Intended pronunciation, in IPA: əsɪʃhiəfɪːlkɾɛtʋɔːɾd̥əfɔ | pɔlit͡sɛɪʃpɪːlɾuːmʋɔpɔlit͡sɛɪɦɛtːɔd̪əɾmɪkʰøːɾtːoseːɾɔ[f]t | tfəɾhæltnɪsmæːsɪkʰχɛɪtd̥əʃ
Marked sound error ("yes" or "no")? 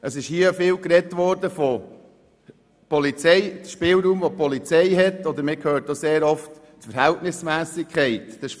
no